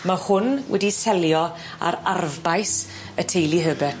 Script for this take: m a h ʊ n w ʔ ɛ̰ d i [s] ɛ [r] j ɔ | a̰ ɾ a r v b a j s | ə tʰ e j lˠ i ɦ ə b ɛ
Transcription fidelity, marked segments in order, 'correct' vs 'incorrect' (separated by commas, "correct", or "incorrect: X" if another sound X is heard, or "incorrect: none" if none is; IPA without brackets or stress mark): correct, incorrect: l